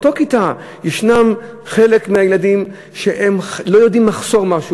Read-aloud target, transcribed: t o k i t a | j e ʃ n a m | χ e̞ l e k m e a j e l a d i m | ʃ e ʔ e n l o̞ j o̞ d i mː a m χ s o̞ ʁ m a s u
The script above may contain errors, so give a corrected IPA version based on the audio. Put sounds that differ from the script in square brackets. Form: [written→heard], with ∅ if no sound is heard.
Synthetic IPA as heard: t o k i t a | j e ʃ n a m | χ e̞ l e k m e a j e l a d i m | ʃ e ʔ e [n→m] l o̞ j o̞ d i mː a [m→∅] χ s o̞ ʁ m a [s→ʃ] u